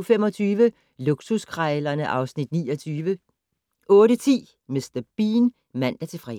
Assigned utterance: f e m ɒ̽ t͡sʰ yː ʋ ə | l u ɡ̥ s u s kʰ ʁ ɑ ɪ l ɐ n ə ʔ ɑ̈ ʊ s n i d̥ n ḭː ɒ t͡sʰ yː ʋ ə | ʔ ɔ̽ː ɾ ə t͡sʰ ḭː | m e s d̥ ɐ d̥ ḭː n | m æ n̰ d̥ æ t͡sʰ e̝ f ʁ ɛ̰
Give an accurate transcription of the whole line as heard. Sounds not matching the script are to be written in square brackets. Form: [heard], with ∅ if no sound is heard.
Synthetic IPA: f e m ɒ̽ t͡sʰ yː ʋ ə | l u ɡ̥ s u s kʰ ʁ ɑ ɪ l ɐ n ə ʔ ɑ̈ ʊ s n i d̥ n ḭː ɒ t͡sʰ yː ʋ ə | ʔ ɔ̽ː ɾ ə t͡sʰ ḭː | m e s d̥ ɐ [b̥] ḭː n | m æ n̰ d̥ æ t͡sʰ e̝ f ʁ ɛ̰